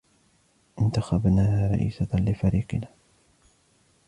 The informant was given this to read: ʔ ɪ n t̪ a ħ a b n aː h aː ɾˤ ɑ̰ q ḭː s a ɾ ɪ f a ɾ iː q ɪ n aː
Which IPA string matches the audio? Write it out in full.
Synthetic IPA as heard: ʔ ɪ n t̪ a x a b n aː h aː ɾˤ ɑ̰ ʔ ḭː s a l ɪ f a ɾ iː q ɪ n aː